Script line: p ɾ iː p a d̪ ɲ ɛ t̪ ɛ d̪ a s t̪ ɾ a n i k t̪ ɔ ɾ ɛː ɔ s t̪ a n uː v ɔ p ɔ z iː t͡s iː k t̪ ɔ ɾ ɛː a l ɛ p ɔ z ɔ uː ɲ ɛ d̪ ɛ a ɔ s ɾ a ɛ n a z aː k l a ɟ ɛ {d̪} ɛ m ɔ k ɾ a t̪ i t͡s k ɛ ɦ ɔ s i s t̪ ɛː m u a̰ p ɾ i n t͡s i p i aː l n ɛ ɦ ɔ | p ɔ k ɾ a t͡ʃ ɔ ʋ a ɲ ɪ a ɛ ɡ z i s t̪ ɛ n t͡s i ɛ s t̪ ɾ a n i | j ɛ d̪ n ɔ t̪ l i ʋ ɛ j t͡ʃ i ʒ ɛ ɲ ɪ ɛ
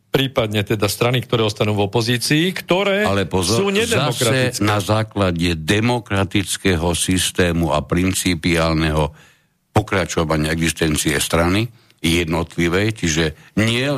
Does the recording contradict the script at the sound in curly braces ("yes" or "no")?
no